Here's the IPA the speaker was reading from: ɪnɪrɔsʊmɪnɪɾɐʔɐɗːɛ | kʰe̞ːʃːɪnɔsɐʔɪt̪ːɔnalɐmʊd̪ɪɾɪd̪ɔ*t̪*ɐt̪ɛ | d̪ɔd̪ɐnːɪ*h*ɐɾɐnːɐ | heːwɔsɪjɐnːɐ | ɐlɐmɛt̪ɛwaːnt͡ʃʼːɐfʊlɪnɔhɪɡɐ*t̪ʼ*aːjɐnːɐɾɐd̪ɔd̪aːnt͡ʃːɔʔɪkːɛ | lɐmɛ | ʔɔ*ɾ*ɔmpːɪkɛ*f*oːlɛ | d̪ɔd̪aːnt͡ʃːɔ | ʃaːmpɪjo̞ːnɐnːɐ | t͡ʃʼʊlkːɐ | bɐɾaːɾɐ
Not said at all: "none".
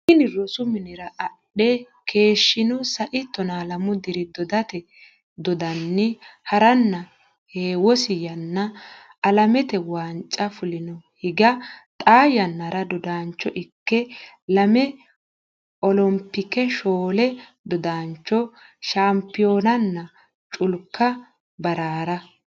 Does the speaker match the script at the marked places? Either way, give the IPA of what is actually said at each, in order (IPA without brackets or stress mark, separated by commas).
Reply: d̪, h, t̪ʼ, l, ʃ